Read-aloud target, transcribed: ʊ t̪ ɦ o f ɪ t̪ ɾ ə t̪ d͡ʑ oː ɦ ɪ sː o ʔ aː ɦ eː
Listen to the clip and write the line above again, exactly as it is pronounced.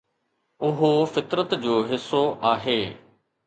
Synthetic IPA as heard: ʊ ɦ o f ɪ t̪ ɾ ə t̪ d͡ʑ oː ɦ ɪ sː o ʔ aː ɦ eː

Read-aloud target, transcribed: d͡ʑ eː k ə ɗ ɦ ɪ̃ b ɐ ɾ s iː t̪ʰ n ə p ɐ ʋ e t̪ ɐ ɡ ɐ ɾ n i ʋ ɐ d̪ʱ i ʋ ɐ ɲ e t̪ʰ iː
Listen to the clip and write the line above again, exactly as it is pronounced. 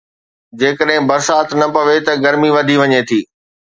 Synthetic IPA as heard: d͡ʑ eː k ə ɗ ɦ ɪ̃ b ɐ ɾ s aː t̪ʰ n ɐ p ɐ ʋ e t̪ ɐ ɡ ɐ ɾ m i ʋ ɐ d̪ʱ i ʋ ɐ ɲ e t̪ʰ iː

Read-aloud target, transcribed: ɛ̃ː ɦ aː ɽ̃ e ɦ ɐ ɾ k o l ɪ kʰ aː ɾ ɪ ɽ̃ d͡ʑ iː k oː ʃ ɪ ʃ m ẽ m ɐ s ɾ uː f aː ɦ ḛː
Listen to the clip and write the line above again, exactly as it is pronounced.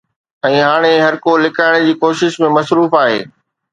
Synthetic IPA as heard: ɛ̃ː ɦ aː ɽ̃ e ɦ ɐ ɾ k o l ɪ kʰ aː ɪ ɽ̃ d͡ʑ iː k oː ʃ ɪ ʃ m ẽ m ɐ s ɾ uː f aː ɦ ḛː

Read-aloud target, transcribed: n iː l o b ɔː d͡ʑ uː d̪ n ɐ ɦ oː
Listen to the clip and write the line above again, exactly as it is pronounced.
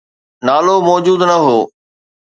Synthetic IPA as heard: n aː l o m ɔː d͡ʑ uː d̪ n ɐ ɦ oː

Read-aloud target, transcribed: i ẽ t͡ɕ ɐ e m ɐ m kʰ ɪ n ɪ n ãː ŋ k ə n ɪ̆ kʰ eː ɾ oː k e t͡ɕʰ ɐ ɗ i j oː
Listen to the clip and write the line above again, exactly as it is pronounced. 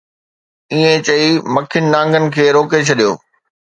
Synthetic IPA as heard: i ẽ t͡ɕ ɐ i m ɐ kʰ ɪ n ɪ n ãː ŋ ɡ ə n ɪ̆ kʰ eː ɾ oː k e t͡ɕʰ ɐ ɗ i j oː

